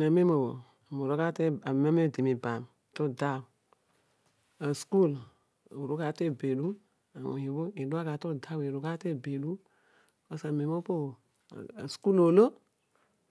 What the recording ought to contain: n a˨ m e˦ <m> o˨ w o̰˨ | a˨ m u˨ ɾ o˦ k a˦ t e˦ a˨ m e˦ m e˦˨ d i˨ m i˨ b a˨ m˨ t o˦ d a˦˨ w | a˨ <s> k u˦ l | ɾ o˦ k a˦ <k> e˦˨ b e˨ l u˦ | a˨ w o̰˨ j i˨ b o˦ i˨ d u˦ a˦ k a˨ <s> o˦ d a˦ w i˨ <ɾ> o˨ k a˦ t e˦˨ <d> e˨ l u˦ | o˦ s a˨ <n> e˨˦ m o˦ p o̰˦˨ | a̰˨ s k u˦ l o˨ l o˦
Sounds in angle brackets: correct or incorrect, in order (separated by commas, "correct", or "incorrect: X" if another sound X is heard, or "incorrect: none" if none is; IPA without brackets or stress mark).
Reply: correct, correct, incorrect: t, incorrect: t, correct, incorrect: b, incorrect: m